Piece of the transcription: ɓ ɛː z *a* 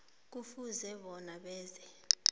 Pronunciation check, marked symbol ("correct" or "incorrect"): incorrect